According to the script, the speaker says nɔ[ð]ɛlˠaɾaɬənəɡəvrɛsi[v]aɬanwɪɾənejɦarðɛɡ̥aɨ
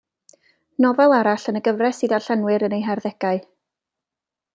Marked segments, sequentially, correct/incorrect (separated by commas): incorrect, incorrect